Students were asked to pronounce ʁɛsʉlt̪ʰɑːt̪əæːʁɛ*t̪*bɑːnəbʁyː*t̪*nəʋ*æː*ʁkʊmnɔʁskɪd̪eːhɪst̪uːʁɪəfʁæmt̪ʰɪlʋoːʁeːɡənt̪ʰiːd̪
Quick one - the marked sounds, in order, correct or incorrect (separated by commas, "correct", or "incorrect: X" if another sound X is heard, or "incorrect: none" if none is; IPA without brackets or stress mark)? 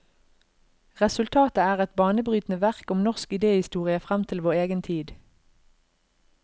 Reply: correct, correct, incorrect: æ